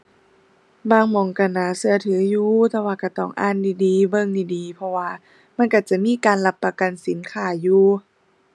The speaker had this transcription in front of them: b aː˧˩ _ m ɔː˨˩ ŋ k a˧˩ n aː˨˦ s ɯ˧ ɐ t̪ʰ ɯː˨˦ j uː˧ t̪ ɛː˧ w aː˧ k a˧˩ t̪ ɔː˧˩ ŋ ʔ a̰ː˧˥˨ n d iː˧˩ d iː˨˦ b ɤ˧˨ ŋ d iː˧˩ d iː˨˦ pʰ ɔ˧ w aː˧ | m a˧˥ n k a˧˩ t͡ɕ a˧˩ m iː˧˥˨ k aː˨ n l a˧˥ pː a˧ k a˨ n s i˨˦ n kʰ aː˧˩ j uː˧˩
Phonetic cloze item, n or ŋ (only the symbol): ŋ